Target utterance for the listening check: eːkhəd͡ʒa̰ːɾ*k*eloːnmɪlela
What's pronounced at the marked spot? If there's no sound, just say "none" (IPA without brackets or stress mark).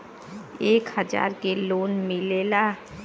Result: k